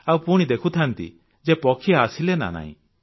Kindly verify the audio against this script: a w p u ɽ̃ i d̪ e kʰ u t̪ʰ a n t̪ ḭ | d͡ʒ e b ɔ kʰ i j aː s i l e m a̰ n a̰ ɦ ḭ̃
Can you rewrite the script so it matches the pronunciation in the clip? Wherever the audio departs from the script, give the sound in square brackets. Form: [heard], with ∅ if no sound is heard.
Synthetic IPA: a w p u ɽ̃ i d̪ e kʰ u t̪ʰ a n t̪ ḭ | d͡ʒ e [p] ɔ kʰ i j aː s i l e [n] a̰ n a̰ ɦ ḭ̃

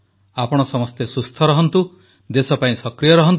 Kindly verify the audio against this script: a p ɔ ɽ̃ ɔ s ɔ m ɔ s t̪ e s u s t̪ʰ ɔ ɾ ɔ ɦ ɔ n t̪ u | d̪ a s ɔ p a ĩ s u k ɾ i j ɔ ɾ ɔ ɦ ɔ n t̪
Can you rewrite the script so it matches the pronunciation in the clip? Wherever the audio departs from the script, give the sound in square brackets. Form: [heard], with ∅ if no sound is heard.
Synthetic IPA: a p ɔ ɽ̃ ɔ s ɔ m ɔ s t̪ e s u s t̪ʰ ɔ ɾ ɔ ɦ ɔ n t̪ u | d̪ [e] s ɔ p a ĩ s [ɔ] k ɾ i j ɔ ɾ ɔ ɦ ɔ n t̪

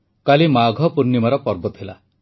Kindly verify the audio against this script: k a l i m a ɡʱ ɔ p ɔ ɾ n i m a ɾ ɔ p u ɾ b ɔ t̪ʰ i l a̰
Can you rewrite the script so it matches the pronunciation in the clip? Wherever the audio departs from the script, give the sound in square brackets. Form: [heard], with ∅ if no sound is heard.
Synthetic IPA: k a l i m a ɡʱ ɔ p [u] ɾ n i m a ɾ ɔ p [ɔ] ɾ b ɔ t̪ʰ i l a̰

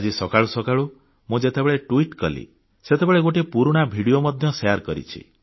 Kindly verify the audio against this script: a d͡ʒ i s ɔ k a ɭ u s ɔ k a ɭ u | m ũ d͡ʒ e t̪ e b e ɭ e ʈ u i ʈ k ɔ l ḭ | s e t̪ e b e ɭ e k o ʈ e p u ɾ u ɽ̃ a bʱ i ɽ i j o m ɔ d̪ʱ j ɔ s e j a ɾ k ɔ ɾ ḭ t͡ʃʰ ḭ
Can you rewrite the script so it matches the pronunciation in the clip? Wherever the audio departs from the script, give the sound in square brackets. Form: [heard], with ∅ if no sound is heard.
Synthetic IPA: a d͡ʒ i s ɔ k a ɭ u s ɔ k a ɭ u | m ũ d͡ʒ e t̪ e b e ɭ e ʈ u i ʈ k ɔ l ḭ | s e t̪ e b e ɭ e [ɡ] o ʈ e p u ɾ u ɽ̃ a bʱ i ɽ i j o m ɔ d̪ʱ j ɔ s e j a ɾ k ɔ ɾ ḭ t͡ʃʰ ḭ

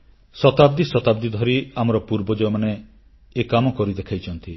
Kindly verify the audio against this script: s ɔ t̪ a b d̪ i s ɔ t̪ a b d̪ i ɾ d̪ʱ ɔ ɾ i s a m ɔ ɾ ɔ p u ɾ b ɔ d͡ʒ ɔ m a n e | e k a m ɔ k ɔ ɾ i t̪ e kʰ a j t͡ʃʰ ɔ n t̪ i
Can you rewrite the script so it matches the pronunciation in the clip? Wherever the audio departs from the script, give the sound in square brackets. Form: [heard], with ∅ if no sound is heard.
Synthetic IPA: s ɔ t̪ a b d̪ i s ɔ t̪ a b d̪ i [∅] d̪ʱ ɔ ɾ i [∅] a m ɔ ɾ ɔ p u ɾ b ɔ d͡ʒ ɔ m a n e | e k a m ɔ k ɔ ɾ i [d̪] e kʰ a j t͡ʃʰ ɔ n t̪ i

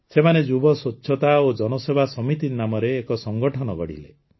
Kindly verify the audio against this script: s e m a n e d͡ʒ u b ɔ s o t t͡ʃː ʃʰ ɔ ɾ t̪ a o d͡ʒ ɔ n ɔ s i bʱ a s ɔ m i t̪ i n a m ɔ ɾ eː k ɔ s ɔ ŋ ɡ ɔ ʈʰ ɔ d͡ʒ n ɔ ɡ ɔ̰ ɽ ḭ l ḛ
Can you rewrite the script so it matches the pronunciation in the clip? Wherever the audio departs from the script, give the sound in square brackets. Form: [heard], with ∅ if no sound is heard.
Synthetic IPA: s e m a n e d͡ʒ u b ɔ s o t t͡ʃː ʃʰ ɔ [∅] t̪ a o d͡ʒ ɔ n ɔ s [e] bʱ a s ɔ m i t̪ i n a m ɔ ɾ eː k ɔ s ɔ ŋ ɡ ɔ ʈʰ ɔ [∅] n ɔ ɡ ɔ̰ ɽ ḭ l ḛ

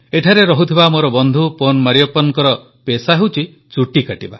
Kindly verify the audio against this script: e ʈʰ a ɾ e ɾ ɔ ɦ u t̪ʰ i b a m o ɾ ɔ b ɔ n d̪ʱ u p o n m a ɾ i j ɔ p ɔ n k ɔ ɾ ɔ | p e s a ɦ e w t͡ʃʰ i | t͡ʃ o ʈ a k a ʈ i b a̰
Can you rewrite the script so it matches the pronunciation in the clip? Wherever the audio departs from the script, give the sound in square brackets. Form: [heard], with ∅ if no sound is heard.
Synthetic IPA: e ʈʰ a ɾ e ɾ ɔ ɦ u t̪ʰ i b a m o ɾ ɔ b ɔ n d̪ʱ u p o n m a ɾ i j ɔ p ɔ n k ɔ ɾ ɔ | p e s a ɦ e w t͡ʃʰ i | t͡ʃ [u] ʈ [i] k a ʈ i b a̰

